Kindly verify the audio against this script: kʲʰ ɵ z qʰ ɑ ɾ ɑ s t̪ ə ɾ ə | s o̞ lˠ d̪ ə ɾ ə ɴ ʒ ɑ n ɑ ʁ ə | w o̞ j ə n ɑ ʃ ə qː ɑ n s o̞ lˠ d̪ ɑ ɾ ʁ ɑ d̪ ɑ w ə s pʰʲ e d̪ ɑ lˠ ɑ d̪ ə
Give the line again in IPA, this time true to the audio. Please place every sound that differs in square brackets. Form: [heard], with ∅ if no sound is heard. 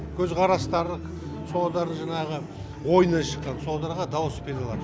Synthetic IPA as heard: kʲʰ ɵ z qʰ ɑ ɾ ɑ s t̪ [ɑ] ɾ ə | s o̞ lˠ d̪ [ɑ] ɾ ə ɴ ʒ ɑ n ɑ ʁ ə | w o̞ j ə n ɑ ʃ ə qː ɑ n s o̞ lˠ d̪ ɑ ɾ ʁ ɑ d̪ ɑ w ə s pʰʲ e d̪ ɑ lˠ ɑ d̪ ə